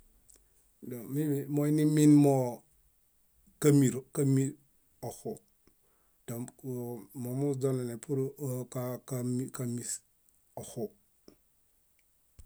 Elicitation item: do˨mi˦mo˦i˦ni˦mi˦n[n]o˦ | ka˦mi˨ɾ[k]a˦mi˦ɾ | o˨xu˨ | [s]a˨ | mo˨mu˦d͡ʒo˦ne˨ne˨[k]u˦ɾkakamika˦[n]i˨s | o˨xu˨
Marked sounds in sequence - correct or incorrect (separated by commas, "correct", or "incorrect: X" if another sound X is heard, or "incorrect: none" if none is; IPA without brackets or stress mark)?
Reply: incorrect: m, correct, incorrect: t, incorrect: p, incorrect: m